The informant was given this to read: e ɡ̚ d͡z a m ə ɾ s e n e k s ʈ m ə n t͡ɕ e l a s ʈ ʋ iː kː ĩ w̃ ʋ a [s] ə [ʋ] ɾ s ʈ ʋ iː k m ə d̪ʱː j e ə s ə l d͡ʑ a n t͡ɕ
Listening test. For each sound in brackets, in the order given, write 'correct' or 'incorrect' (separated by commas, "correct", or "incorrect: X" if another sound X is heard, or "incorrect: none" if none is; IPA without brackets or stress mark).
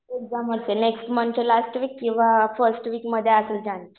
incorrect: f, incorrect: none